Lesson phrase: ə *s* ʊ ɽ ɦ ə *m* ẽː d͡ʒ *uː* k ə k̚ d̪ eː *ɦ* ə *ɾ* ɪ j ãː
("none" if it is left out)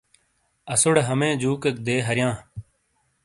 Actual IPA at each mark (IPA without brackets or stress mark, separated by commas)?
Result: s, m, uː, ɦ, ɾ